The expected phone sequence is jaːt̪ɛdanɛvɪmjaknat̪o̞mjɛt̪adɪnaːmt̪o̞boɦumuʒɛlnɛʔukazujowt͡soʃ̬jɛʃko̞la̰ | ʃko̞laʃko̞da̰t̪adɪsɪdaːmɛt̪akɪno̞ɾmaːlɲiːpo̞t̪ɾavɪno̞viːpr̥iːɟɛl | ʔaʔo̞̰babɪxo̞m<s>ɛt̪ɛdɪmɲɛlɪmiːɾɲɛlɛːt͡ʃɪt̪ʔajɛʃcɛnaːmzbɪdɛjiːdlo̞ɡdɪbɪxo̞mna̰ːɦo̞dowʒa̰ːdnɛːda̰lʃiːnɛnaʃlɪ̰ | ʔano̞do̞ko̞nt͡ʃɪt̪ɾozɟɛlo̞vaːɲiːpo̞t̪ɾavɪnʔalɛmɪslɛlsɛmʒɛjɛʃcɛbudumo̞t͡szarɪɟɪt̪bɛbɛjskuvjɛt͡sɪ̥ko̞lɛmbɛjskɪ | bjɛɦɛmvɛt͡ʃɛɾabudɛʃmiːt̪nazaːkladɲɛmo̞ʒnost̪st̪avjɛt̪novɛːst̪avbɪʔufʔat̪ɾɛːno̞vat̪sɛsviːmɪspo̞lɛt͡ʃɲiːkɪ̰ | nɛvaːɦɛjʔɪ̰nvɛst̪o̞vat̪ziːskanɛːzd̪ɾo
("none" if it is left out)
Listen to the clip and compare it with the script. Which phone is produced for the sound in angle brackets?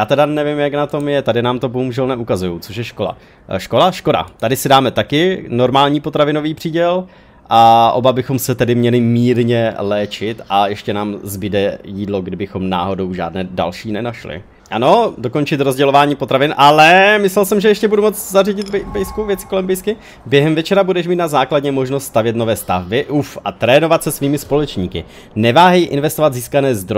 s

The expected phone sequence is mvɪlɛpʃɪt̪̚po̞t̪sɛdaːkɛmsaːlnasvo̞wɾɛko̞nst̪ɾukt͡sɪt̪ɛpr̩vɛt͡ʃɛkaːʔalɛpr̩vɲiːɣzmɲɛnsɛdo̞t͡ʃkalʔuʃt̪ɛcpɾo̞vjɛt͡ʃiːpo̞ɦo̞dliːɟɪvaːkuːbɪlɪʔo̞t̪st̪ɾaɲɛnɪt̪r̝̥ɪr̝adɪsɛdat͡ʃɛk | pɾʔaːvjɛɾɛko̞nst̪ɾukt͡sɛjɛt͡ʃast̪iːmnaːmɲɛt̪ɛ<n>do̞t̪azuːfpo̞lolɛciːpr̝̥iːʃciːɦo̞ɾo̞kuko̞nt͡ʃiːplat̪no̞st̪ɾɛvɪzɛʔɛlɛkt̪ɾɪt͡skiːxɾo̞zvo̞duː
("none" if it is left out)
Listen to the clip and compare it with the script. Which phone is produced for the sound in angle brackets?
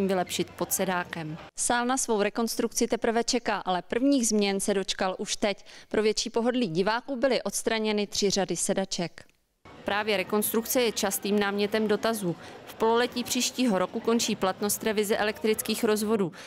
m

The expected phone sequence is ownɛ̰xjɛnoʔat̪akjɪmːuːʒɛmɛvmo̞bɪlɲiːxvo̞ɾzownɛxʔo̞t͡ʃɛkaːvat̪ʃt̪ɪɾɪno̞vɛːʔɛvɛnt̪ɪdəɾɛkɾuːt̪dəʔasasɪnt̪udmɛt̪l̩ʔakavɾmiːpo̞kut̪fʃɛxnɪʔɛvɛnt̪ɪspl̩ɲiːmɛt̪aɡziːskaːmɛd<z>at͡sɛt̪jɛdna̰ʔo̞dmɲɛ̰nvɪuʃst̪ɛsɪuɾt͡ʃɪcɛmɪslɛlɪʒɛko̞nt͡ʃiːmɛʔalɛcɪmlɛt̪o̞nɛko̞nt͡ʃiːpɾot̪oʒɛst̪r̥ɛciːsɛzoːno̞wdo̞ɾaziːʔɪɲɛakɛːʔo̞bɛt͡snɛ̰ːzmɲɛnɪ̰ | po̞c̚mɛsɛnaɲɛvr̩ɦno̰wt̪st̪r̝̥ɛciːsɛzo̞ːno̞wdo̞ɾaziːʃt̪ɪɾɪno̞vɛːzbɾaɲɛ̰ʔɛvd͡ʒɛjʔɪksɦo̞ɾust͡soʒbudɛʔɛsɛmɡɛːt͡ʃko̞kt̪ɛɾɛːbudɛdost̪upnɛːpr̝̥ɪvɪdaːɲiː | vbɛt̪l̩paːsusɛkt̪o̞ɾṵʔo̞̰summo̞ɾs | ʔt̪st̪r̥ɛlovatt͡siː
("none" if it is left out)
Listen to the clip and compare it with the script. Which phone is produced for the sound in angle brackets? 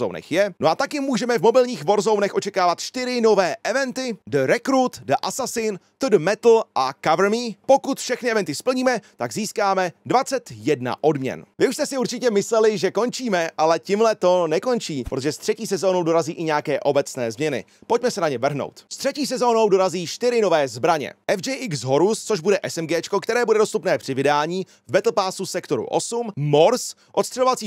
v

